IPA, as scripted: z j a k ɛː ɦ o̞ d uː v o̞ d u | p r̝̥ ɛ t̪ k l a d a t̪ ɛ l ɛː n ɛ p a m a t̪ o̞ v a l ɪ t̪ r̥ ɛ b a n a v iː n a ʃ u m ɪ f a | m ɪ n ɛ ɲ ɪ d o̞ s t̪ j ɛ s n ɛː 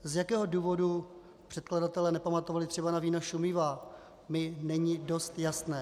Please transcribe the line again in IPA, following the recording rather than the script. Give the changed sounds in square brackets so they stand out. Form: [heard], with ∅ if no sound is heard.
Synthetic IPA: z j a k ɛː ɦ o̞ d uː v o̞ d u | p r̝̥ ɛ t̪ k l a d a t̪ ɛ l ɛː n ɛ p a m a t̪ o̞ v a l ɪ t̪ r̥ ɛ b a n a v iː n a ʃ u m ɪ [v] a | m ɪ n ɛ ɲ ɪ d o̞ s t̪ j [a] s n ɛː